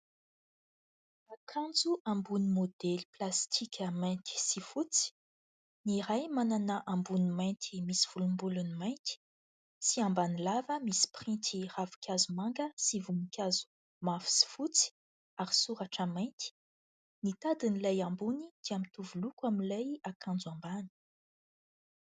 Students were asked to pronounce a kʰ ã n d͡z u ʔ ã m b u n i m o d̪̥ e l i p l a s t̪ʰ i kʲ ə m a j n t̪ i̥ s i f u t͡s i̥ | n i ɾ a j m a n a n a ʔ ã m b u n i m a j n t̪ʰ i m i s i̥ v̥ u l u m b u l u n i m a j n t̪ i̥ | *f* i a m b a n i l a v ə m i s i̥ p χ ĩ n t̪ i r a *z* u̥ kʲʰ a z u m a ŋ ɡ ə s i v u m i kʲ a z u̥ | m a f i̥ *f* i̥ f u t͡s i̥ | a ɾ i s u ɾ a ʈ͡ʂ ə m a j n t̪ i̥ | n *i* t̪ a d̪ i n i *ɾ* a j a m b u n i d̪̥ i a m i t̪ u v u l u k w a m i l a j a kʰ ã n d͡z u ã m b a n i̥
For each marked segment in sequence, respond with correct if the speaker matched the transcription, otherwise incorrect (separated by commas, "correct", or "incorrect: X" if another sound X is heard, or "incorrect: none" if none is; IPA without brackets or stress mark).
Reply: incorrect: s, incorrect: v, incorrect: s, correct, incorrect: l